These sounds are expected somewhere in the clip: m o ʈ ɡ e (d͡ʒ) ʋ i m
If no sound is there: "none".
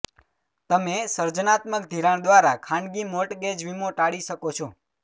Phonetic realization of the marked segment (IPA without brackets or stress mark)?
d͡ʒ